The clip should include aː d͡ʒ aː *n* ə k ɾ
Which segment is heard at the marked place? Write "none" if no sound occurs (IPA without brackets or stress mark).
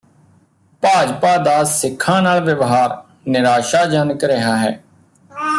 n